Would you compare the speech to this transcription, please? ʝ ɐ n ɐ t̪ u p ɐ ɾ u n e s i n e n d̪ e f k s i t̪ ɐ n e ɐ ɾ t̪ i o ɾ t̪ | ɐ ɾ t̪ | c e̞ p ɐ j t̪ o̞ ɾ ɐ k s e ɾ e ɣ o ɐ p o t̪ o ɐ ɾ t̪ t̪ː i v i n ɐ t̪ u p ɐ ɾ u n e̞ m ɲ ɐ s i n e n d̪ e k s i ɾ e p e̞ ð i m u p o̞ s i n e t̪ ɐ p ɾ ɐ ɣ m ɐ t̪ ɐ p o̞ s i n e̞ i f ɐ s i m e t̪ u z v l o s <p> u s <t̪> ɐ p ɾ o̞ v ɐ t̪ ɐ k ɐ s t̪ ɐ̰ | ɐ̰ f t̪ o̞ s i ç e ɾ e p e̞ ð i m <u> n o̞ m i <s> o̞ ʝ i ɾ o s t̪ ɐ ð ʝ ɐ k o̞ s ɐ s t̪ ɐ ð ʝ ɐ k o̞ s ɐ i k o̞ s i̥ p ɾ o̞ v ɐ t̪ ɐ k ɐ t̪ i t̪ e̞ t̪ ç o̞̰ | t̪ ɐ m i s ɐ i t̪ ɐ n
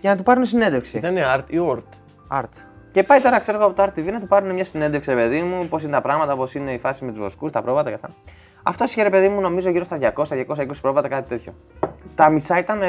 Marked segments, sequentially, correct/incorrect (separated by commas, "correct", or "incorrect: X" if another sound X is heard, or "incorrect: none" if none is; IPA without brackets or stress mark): incorrect: k, correct, correct, incorrect: z